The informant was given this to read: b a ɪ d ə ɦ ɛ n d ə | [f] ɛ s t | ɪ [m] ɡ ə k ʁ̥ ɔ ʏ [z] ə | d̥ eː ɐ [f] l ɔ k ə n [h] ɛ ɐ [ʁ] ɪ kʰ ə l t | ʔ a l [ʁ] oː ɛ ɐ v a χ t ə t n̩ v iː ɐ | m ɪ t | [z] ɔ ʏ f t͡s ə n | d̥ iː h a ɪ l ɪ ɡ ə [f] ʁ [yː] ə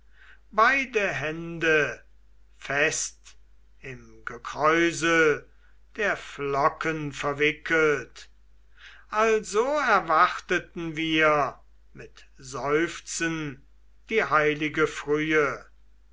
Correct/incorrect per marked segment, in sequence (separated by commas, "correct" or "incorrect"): correct, correct, correct, correct, incorrect, incorrect, incorrect, correct, correct, correct